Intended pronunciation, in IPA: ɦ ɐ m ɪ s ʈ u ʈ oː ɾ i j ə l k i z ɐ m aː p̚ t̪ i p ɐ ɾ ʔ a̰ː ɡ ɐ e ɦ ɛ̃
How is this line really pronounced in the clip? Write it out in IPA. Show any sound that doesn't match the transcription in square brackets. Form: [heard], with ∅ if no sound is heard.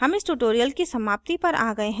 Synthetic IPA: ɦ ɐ m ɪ s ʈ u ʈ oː ɾ i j ə l k i [s] ɐ m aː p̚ t̪ i p ɐ ɾ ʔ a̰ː ɡ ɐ e ɦ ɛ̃